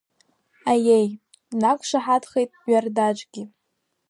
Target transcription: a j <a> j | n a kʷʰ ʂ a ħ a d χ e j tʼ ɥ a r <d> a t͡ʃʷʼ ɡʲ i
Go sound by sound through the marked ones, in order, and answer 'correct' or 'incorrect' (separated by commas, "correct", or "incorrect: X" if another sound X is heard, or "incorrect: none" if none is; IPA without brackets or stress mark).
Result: incorrect: e, correct